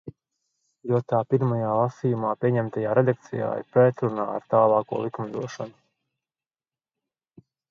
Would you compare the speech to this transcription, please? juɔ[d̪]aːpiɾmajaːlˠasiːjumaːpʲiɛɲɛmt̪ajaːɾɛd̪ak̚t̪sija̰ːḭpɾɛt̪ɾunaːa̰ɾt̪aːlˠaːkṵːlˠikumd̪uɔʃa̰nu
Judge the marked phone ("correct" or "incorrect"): incorrect